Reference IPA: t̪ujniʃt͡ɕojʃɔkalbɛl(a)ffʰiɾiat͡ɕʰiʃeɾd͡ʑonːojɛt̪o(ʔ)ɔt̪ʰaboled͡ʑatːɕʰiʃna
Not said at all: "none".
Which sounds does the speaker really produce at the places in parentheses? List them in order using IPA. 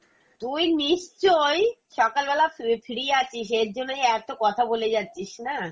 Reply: a, k

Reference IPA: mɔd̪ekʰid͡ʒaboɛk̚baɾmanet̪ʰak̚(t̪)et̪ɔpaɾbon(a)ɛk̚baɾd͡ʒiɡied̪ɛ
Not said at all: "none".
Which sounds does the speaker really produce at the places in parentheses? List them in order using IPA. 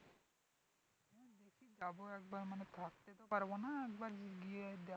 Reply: t̪, a

